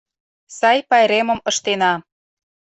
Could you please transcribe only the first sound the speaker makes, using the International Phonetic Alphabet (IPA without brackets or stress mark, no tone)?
s